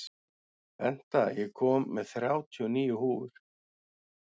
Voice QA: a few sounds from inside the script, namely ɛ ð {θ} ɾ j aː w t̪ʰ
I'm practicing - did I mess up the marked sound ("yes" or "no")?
no